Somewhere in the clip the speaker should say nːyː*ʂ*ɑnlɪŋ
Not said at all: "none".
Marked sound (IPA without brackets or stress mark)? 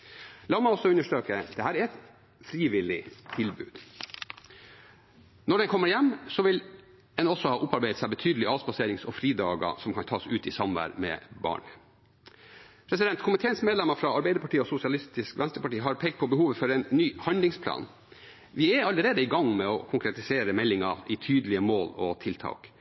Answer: h